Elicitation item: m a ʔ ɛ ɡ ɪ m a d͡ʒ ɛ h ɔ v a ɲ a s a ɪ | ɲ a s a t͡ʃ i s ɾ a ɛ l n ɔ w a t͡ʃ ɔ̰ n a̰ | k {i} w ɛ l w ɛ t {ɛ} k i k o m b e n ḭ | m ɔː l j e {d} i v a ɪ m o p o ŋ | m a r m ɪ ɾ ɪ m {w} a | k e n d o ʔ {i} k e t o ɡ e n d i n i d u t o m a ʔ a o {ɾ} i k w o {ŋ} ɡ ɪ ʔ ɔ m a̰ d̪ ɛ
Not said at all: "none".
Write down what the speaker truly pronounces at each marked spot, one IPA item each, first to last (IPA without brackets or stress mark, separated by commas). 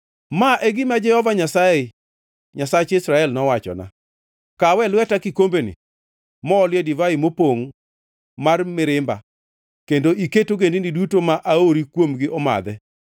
a, a, d, b, i, ɾ, m